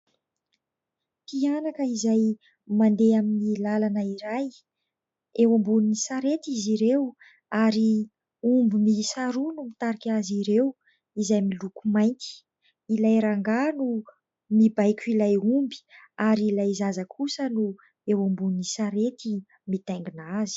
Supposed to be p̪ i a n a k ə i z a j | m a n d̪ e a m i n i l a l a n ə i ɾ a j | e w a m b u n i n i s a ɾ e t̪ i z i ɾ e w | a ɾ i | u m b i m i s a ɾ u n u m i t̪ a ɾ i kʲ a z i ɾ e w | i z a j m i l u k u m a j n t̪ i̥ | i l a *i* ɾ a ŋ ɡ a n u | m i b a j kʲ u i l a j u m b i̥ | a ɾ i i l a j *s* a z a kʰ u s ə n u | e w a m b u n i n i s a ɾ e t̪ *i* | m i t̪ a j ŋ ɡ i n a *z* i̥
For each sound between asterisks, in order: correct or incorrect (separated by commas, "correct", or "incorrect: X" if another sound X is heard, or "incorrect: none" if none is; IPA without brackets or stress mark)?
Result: incorrect: j, incorrect: z, correct, correct